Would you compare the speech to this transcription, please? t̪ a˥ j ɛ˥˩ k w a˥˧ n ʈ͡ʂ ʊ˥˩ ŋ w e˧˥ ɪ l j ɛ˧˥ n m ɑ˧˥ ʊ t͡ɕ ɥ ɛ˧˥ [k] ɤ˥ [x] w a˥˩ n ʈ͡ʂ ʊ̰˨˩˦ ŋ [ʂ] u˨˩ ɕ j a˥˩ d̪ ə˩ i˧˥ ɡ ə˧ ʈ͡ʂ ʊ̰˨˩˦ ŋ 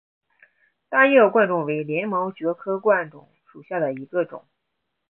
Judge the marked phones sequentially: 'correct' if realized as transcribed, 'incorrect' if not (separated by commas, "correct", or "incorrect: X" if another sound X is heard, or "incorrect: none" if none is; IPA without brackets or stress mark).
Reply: incorrect: kʰ, incorrect: k, correct